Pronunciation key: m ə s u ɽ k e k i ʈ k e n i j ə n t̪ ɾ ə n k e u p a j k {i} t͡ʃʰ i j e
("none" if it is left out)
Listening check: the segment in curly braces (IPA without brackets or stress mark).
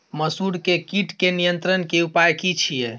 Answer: i